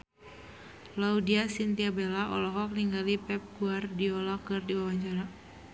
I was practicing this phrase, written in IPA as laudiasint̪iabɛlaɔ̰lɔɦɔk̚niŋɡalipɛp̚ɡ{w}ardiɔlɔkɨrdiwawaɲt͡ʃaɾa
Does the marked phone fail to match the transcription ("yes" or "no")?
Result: yes